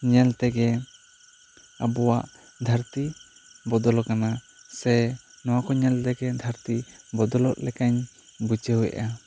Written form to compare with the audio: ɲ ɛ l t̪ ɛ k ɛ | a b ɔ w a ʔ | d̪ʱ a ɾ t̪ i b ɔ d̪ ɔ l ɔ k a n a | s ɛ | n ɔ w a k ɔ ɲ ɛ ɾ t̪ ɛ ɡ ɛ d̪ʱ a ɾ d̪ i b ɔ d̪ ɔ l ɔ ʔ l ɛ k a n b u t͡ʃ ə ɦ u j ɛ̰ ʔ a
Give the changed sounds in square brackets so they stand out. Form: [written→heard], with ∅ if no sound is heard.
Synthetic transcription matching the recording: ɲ ɛ l t̪ ɛ [k→ɡ] ɛ | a b ɔ w a ʔ | d̪ʱ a ɾ t̪ i b ɔ d̪ ɔ l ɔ k a n a | s ɛ | n ɔ w a k ɔ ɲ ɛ [ɾ→l] t̪ ɛ ɡ ɛ d̪ʱ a ɾ [d̪→t̪] i b ɔ d̪ ɔ l ɔ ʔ l ɛ k a [n→ɲ] b u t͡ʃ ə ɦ u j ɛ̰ ʔ a